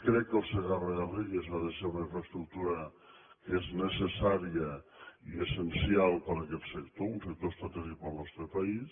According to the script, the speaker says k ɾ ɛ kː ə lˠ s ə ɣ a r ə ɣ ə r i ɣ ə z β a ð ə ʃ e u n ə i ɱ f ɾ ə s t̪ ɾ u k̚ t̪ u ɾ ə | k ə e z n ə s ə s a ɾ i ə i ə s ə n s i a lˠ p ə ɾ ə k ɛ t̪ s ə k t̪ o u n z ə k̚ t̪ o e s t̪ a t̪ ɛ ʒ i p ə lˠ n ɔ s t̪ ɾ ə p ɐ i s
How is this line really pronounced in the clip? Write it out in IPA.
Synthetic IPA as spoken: k ɾ ɛ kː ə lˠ s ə ɣ a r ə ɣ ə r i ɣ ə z β a ð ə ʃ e u n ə i ɱ f ɾ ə s t̪ ɾ u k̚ t̪ u ɾ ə | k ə e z n ə s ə s a ɾ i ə i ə s ə n s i a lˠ p ə ɾ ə k ɛ t̪ s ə k t̪ o u n s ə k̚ t̪ o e s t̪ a t̪ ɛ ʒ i p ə lˠ n ɔ s t̪ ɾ ə p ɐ i s